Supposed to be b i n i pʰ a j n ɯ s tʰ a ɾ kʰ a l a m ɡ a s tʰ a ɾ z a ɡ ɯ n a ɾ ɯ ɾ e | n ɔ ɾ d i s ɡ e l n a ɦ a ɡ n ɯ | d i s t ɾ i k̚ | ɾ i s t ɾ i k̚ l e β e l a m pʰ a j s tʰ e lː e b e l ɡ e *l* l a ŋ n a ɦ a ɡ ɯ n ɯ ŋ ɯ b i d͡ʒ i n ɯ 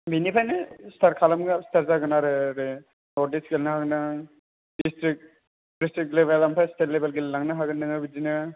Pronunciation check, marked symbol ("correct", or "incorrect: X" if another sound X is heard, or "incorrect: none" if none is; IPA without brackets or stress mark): correct